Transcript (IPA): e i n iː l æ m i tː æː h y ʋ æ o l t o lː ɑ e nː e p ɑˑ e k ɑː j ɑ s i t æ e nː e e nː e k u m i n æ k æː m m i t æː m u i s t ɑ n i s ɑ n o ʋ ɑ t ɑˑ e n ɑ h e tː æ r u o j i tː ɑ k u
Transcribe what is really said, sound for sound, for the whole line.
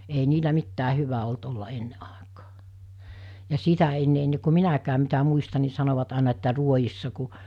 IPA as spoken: e i n iː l æ m i tː æː h y ʋ æ o l t o lː ɑ e nː e ʔ ɑˑ e k ɑː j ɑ s i t æ e nː e e nː e k u m i n æ k æː m m i t æ m u i s t ɑ n i s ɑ n o ʋ ɑ t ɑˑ e n ɑ e tː æ r u o j i sː ɑ k u